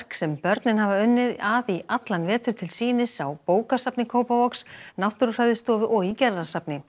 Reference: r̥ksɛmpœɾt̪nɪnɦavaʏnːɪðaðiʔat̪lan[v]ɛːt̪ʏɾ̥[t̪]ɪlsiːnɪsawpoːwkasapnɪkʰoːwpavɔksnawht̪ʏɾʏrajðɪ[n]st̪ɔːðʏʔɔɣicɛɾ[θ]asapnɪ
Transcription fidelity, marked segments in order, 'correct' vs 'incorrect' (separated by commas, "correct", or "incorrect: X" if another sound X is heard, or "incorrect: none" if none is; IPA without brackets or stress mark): correct, incorrect: t̪ʰ, incorrect: none, incorrect: ð